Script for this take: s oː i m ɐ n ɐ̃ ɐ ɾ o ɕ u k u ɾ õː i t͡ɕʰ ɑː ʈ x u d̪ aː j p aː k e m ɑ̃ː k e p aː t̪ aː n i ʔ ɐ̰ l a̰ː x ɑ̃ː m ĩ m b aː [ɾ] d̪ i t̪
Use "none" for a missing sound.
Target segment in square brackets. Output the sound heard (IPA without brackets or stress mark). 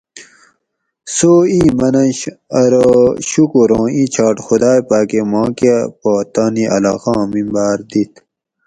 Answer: ɾ